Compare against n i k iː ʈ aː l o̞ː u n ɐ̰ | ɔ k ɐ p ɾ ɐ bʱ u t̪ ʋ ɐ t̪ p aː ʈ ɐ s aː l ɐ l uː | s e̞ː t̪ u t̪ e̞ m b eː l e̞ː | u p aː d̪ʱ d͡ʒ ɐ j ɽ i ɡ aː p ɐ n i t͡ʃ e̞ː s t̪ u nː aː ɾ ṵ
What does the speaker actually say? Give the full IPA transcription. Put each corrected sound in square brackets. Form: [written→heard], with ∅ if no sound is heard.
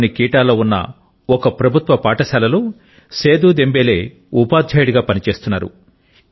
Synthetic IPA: n i k iː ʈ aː l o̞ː u [n→nː] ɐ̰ | ɔ k ɐ p ɾ ɐ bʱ u t̪ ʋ ɐ [t̪→∅] p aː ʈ ɐ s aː l ɐ l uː | s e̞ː [t̪→d̪] u [t̪→d̪] e̞ m b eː l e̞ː | u p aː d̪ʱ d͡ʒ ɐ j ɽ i ɡ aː p ɐ n i t͡ʃ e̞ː s t̪ u nː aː ɾ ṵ